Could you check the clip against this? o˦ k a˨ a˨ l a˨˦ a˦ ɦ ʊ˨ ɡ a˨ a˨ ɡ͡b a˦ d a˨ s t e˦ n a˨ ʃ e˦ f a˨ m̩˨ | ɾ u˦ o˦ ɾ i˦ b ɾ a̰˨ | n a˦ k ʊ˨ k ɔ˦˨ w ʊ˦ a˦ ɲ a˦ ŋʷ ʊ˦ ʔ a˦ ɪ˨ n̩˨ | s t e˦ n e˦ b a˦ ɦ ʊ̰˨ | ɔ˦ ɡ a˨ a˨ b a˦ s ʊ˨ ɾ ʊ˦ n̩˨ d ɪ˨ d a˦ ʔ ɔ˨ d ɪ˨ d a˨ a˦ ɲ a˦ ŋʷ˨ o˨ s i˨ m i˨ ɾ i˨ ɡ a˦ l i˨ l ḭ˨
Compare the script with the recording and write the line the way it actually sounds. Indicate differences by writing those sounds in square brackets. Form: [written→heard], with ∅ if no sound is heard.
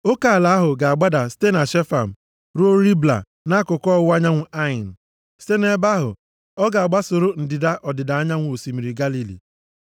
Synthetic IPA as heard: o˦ k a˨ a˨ l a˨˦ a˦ ɦ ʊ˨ ɡ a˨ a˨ ɡ͡b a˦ d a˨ s t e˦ n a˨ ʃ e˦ f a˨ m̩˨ | ɾ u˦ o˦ ɾ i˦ b [ɾ→l] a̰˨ | n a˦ k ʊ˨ k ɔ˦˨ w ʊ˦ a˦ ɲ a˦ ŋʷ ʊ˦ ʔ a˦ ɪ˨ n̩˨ | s t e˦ n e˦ b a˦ ɦ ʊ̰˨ | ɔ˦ ɡ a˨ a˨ [b→ɡ͡b] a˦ s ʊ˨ ɾ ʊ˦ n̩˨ d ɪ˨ d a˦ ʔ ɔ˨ d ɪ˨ d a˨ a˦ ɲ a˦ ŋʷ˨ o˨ s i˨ m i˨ ɾ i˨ ɡ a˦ l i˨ l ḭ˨